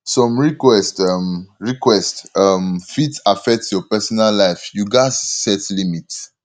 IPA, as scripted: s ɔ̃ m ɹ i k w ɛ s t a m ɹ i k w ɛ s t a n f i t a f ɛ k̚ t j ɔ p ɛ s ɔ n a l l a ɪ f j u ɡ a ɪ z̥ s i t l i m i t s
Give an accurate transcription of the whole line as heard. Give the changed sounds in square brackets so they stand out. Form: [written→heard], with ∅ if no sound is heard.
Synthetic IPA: s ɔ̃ m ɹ i k w ɛ s t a m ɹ i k w ɛ s t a [n→m] f i t a f ɛ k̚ t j ɔ p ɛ s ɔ n a l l a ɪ f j u ɡ a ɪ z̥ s [i→ɛ] t l i m i t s